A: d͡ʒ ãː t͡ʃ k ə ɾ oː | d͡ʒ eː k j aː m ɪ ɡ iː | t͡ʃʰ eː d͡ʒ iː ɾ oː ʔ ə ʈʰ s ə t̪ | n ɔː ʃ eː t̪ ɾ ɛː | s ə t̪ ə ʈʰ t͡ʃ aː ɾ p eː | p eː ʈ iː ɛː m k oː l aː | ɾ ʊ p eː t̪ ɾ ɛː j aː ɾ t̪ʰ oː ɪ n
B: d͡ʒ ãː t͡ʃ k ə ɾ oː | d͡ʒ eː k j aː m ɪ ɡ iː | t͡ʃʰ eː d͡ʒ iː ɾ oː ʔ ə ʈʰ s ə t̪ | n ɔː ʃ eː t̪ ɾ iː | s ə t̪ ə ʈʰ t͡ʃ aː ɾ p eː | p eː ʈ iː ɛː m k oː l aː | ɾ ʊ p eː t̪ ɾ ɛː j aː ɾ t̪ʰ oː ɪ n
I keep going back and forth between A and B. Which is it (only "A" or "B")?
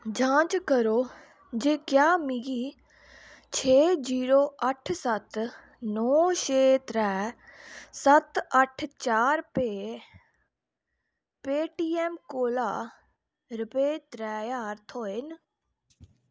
A